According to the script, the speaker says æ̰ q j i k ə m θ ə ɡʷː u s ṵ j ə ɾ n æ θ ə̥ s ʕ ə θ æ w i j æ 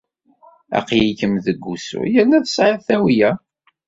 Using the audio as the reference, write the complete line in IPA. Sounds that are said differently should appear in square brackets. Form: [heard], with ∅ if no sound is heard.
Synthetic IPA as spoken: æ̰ q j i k ə m [ð] ə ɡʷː u s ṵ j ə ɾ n æ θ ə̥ s ʕ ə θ æ w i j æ